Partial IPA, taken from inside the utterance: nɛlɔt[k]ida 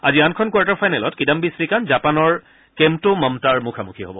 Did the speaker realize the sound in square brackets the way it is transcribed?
yes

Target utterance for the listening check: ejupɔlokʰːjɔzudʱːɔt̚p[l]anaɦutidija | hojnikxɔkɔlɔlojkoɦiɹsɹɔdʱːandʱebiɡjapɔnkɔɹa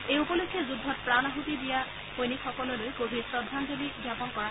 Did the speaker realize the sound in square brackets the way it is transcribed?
no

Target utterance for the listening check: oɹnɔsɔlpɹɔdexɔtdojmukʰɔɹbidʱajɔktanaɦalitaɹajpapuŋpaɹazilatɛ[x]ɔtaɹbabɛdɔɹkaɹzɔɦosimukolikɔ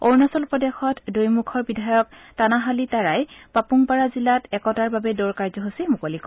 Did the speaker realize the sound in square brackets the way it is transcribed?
no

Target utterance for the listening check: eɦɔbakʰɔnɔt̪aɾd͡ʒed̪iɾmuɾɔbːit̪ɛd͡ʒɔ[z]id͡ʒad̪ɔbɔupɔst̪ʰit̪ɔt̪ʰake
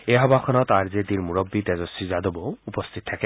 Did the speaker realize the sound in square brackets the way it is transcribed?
no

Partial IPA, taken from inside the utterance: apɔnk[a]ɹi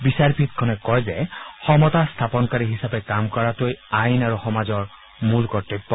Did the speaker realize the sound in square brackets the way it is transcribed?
yes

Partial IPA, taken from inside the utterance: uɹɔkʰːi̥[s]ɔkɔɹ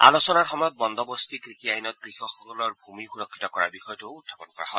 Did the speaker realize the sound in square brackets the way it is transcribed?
no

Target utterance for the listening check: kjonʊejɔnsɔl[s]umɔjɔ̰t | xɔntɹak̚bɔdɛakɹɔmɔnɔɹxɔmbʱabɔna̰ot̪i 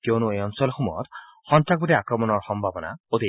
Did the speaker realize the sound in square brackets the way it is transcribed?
no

